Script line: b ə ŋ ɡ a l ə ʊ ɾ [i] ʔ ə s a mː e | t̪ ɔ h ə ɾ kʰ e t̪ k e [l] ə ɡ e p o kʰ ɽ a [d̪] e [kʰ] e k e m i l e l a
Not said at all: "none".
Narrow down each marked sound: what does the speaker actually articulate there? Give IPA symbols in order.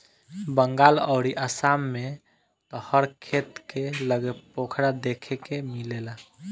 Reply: i, l, d̪, kʰ

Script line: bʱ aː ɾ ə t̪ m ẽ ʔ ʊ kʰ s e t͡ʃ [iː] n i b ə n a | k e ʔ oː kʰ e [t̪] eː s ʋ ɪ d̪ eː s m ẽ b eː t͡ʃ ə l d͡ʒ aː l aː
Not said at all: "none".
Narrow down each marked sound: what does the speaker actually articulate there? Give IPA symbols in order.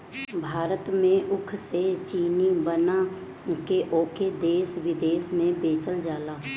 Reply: iː, d̪

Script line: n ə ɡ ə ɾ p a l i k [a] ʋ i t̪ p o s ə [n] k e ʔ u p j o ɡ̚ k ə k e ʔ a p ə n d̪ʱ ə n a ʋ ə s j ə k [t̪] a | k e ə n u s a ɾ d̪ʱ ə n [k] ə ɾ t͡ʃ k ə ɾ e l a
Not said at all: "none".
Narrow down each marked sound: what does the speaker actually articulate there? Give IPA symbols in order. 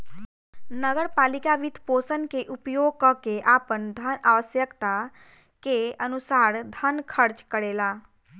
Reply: a, n, t̪, kʰ

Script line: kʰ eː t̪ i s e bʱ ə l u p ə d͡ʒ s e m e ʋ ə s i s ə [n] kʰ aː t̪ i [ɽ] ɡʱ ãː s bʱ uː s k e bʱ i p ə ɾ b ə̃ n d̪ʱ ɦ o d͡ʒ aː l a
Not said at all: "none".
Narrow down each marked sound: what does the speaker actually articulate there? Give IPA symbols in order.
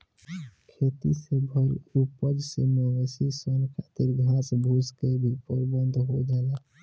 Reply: n, ɾ

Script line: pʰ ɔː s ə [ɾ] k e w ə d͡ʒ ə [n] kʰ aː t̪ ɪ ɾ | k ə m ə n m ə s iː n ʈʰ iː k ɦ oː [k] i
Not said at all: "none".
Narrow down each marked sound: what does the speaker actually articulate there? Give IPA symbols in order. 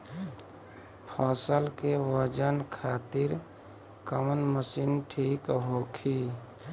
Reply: l, n, kʰ

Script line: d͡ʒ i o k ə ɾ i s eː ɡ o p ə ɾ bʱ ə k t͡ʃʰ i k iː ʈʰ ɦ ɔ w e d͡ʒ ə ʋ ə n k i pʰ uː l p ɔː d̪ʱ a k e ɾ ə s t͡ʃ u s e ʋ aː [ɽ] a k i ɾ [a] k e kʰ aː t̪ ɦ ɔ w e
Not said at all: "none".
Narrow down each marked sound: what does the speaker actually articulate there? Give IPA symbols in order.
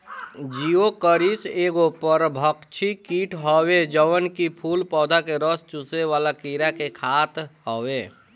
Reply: l, a

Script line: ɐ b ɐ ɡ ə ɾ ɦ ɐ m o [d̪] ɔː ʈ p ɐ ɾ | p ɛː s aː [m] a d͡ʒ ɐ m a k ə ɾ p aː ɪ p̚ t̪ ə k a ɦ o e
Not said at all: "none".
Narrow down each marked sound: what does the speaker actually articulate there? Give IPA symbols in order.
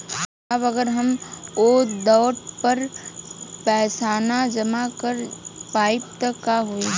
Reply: d̪, n

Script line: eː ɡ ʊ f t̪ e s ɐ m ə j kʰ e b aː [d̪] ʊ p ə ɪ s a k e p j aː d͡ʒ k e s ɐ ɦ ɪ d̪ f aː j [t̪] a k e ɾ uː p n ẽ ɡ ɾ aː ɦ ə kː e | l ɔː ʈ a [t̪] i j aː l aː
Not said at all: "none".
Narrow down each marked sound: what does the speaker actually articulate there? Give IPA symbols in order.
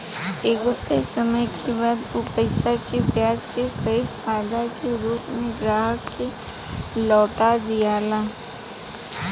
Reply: d̪, d̪, d̪

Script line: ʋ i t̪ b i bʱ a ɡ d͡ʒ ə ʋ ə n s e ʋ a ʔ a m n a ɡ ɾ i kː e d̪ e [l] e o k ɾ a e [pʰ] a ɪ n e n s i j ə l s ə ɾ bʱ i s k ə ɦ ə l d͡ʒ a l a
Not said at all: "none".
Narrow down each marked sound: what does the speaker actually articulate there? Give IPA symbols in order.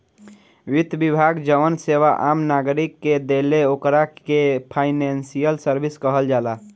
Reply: l, pʰ

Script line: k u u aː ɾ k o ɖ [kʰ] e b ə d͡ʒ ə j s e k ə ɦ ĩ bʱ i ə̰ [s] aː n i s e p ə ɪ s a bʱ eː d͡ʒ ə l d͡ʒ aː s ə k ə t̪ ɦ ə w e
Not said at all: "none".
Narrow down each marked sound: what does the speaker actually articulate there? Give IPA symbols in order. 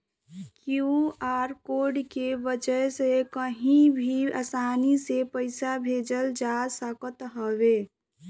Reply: k, s

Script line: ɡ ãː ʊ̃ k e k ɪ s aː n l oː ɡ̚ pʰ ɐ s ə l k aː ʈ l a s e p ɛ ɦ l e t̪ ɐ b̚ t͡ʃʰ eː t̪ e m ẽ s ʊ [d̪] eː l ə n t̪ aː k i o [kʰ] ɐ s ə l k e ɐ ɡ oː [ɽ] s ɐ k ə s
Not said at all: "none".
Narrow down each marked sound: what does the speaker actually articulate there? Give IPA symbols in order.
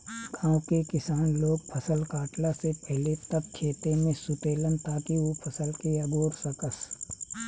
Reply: t̪, pʰ, ɾ

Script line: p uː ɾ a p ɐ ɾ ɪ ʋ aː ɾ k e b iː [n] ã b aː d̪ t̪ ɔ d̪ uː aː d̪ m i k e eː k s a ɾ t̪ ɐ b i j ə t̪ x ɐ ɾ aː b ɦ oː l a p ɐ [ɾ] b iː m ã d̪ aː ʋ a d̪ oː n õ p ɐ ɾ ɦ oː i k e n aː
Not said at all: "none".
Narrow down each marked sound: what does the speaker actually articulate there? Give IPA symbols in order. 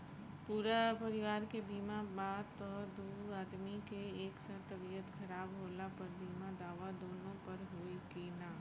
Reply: m, ɾ

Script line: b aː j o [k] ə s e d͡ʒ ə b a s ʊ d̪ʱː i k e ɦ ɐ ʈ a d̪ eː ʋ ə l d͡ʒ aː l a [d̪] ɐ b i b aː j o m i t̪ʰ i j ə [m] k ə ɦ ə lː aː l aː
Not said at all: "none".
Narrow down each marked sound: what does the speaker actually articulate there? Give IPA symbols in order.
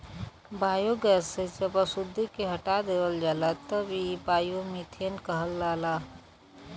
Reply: ɡ, t̪, n

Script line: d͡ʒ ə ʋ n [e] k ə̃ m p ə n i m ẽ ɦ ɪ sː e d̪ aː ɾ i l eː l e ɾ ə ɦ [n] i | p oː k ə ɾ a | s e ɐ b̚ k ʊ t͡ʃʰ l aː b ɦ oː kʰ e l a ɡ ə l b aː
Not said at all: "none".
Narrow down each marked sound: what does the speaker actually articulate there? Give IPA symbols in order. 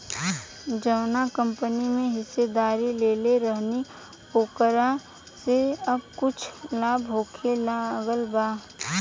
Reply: a, n

